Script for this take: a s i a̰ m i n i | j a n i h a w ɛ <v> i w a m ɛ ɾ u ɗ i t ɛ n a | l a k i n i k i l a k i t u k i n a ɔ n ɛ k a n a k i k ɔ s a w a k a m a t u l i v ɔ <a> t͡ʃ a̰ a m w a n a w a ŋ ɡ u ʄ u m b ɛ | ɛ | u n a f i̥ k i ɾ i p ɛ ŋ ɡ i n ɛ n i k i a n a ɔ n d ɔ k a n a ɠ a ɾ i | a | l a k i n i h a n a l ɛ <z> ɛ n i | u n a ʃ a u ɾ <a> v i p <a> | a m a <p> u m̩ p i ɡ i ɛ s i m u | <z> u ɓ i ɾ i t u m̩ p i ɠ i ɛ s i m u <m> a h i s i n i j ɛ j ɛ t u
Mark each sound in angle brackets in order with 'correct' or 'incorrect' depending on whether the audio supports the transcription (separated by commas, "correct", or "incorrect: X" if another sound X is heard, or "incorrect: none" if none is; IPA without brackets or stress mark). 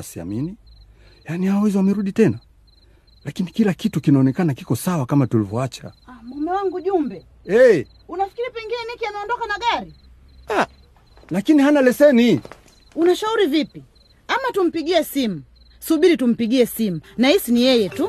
incorrect: z, correct, incorrect: s, incorrect: i, incorrect: i, incorrect: t, incorrect: s, incorrect: n